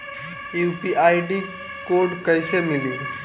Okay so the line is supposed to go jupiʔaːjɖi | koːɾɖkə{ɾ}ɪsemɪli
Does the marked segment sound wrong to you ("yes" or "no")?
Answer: yes